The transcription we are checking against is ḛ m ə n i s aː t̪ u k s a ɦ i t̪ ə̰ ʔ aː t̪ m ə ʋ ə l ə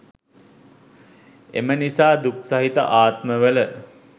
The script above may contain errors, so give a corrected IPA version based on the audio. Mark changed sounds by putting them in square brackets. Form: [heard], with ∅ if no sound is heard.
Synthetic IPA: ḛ m ə n i s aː [d̪] u k s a ɦ i t̪ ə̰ ʔ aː t̪ m ə ʋ ə l ə

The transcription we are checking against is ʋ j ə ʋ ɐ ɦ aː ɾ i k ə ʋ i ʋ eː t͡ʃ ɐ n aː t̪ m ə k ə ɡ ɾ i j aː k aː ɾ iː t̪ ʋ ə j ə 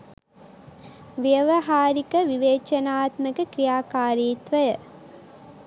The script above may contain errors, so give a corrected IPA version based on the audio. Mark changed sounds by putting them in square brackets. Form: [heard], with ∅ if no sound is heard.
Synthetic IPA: ʋ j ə ʋ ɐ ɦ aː ɾ i k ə ʋ i ʋ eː t͡ʃ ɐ n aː t̪ m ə k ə [k] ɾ i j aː k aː ɾ iː t̪ ʋ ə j ə

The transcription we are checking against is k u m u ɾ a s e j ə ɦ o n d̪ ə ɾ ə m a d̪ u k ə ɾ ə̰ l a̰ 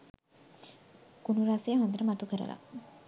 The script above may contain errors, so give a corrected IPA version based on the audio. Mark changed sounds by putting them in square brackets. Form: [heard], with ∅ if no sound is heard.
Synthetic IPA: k u [n] u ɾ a s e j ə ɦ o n d̪ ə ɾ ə m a [t̪] u k ə ɾ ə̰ l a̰

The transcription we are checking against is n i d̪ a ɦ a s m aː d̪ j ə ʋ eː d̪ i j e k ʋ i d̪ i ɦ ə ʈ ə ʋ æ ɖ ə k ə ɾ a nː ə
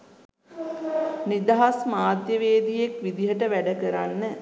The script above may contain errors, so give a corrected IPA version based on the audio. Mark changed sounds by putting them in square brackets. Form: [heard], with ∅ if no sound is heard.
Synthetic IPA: n i d̪ a ɦ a s m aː d̪ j ə ʋ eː d̪ i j e k ʋ i d̪ i ɦ ə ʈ ə ʋ æ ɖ ə k ə ɾ a nː ə

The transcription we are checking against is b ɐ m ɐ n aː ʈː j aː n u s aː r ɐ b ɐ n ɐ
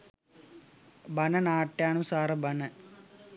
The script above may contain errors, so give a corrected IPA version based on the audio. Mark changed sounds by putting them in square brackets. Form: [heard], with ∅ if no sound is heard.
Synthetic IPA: b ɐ [n] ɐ n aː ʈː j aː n u s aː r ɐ b ɐ n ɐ

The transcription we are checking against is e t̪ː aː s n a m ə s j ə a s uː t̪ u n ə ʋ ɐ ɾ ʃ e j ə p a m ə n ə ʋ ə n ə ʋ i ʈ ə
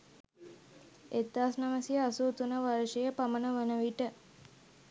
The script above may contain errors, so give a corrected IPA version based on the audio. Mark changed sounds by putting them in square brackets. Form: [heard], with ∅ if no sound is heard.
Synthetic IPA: e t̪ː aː s n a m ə s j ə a s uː t̪ u n ə ʋ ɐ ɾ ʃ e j ə p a m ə n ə ʋ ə n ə ʋ i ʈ ə

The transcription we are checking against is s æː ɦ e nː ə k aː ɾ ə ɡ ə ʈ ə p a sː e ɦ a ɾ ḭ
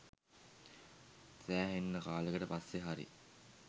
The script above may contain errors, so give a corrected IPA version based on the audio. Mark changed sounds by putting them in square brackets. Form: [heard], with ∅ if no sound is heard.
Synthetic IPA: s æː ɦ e nː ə k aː [l] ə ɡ ə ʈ ə p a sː e ɦ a ɾ ḭ

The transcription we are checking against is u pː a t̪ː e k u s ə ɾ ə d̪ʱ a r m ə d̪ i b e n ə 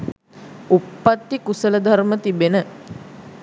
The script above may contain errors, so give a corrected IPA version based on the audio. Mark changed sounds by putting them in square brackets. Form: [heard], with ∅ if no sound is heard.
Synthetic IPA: u pː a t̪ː [i] k u s ə [l] ə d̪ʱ a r m ə [t̪] i b e n ə

